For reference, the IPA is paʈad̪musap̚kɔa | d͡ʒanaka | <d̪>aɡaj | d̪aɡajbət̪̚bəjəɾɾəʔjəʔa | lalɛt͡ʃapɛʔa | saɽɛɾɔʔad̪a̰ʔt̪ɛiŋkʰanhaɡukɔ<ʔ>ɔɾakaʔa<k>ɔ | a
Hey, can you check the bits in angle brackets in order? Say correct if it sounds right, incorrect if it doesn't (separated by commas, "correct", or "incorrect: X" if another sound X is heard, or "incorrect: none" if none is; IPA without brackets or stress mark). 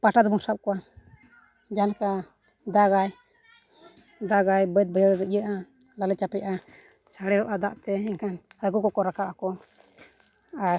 correct, incorrect: k, correct